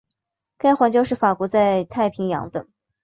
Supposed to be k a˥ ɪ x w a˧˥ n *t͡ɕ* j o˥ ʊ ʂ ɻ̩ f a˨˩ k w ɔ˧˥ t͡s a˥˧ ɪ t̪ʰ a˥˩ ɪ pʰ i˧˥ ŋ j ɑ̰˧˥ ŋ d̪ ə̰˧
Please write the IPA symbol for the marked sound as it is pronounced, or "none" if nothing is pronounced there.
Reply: t͡ɕ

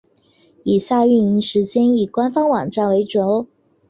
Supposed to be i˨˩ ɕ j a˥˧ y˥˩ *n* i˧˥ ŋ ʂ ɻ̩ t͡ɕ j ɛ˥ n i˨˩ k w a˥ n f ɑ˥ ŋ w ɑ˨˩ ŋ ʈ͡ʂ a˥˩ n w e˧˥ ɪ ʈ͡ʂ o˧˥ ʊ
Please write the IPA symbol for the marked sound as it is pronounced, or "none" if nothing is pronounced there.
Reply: n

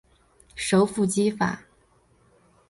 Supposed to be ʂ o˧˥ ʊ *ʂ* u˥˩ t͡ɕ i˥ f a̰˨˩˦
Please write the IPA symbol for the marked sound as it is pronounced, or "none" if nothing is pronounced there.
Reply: f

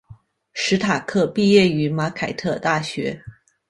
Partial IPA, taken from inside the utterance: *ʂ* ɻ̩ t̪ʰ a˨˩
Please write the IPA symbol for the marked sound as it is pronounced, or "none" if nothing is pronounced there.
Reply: ʂ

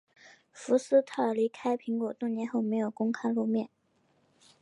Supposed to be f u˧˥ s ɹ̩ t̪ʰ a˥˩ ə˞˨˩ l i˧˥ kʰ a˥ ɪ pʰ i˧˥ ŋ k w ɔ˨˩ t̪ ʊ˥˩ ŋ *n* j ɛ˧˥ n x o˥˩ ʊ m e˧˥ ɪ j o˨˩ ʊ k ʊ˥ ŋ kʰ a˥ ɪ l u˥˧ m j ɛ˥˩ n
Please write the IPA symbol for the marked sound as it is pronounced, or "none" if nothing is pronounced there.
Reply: n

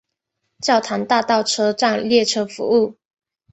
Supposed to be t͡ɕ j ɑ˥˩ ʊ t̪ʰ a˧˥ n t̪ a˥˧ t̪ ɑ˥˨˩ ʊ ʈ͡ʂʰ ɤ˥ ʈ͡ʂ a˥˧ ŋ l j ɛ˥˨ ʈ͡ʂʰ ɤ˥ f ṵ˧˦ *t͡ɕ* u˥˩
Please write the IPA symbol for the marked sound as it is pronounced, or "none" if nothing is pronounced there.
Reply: none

